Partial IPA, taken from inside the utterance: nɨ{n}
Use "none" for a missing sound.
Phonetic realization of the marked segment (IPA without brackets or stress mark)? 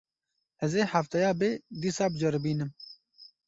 m